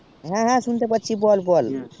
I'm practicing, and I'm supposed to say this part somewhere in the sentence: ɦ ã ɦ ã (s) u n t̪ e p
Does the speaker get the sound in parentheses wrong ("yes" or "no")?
no